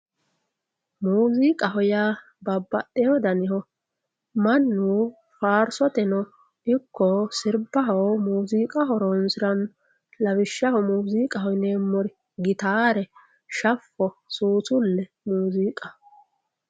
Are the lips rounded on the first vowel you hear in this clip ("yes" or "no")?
yes